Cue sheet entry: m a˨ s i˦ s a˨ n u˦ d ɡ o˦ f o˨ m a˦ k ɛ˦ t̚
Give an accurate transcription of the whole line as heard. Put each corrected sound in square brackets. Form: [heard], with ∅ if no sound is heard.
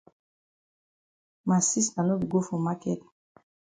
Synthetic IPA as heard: m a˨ s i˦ s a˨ n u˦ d ɡ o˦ f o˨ m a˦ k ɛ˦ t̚